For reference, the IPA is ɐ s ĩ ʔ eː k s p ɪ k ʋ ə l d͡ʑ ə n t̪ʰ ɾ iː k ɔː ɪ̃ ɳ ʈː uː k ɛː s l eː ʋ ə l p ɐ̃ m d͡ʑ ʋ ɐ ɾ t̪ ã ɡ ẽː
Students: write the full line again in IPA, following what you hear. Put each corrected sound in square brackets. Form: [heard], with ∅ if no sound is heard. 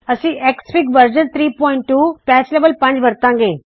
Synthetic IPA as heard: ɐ s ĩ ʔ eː k s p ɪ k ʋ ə [ɾ] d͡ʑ ə n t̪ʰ ɾ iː [p] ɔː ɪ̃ ɳ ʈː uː [p] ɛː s l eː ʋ ə l p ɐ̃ [ɲ] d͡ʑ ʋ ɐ ɾ t̪ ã ɡ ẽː